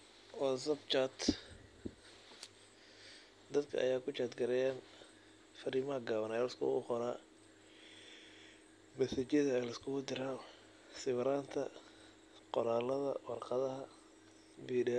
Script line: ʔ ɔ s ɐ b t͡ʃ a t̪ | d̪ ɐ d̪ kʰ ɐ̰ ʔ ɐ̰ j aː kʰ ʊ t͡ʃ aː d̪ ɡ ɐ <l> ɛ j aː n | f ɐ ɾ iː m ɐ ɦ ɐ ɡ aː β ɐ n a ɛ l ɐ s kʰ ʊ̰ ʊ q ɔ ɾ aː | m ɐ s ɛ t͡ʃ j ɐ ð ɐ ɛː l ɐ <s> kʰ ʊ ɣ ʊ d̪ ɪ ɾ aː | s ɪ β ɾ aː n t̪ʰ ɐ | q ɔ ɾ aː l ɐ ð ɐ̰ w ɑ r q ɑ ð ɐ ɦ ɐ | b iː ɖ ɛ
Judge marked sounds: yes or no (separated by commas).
no, yes